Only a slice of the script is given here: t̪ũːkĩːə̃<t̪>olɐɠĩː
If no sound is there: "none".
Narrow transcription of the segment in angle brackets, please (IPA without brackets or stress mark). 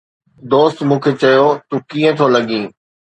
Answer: t̪ʰ